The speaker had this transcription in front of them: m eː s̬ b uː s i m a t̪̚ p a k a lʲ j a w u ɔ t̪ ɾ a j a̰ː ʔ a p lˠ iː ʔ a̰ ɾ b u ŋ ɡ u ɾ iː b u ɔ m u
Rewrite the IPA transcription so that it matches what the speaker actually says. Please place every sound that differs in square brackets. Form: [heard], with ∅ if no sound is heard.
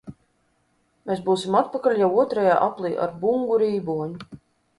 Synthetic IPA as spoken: m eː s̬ b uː s i m a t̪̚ p a k a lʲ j a w u ɔ t̪ ɾ a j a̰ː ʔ a p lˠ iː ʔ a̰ ɾ b u ŋ ɡ u ɾ iː b u ɔ [ɲ] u